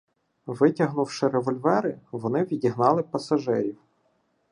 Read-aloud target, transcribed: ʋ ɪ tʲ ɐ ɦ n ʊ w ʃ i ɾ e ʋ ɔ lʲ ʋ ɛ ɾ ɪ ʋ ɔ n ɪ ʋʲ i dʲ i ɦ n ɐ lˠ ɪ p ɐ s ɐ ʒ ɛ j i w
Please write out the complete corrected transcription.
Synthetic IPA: ʋ ɪ tʲ ɐ ɦ n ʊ w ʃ ɪ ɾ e ʋ ɔ lʲ ʋ ɛ ɾ ɪ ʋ ɔ n ɪ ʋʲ i dʲ i ɦ n ɑ lˠ ɪ p ɐ s ɐ ʒ ɛ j i w